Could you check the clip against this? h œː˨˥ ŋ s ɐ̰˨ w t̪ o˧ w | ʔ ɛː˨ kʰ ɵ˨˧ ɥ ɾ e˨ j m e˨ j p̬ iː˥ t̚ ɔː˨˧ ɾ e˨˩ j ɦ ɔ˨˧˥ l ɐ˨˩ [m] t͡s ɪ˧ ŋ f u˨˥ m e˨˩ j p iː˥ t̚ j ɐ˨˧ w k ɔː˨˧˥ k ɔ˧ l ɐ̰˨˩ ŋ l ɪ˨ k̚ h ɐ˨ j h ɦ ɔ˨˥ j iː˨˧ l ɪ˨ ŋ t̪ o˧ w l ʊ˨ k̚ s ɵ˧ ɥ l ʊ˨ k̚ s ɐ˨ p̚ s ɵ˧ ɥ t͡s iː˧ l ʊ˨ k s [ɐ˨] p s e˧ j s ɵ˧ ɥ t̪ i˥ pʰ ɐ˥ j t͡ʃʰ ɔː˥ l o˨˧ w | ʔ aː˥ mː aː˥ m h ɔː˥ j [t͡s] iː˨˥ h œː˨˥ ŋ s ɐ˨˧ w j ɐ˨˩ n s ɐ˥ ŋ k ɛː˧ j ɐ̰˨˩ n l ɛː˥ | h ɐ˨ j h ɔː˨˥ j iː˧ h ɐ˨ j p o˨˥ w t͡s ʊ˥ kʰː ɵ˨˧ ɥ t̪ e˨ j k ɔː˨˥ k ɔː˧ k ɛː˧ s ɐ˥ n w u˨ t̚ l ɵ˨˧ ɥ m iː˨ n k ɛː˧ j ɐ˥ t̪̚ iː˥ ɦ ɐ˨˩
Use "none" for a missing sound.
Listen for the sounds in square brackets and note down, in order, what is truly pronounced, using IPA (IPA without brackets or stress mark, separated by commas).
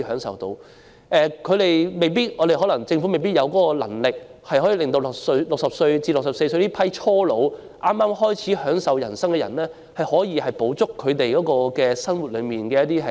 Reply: ŋ, ɐ˨, t͡sʰ